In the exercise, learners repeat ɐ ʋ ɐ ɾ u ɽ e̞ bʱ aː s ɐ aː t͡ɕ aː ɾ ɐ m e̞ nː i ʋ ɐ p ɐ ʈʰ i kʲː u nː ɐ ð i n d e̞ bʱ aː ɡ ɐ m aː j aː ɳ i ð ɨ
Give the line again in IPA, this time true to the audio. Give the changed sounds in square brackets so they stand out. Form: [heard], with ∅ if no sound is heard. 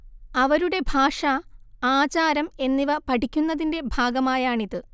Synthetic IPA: ɐ ʋ ɐ ɾ u ɽ e̞ bʱ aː [ʂ] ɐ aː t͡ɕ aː ɾ ɐ m e̞ nː i ʋ ɐ p ɐ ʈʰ i kʲː u nː ɐ ð i n d e̞ bʱ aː ɡ ɐ m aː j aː ɳ i ð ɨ